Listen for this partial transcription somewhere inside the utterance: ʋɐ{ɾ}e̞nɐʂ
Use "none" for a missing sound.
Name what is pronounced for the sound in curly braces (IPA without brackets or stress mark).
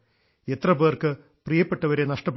ɾ